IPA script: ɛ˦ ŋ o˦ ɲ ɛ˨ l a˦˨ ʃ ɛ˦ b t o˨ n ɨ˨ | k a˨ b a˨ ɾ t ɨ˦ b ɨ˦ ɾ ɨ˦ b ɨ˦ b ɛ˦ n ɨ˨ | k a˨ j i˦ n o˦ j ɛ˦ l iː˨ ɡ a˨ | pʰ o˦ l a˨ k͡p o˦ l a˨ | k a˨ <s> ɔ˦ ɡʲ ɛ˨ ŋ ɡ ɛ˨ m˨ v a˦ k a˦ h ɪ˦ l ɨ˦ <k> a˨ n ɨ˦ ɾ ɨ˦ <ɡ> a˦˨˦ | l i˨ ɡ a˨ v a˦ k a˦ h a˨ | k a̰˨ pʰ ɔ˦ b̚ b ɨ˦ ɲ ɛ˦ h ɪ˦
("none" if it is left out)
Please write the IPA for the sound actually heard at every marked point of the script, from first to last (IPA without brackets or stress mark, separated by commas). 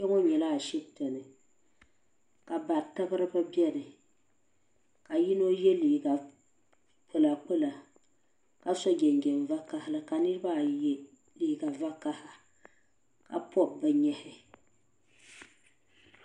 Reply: s, k, b